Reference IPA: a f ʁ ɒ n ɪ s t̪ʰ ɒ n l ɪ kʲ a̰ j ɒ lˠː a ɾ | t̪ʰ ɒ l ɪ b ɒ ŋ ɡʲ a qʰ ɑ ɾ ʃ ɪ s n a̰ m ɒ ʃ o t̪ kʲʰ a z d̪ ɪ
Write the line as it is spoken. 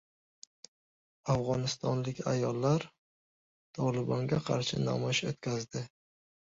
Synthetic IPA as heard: a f ʁ ɒ n ɪ s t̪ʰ ɒ n l ɪ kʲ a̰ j ɒ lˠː a ɾ | t̪ʰ ɒ l ɪ b ɒ ŋ ɡʲ a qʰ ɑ ɾ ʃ ɪ n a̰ m ɒ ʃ o t̪ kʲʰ a z d̪ ɪ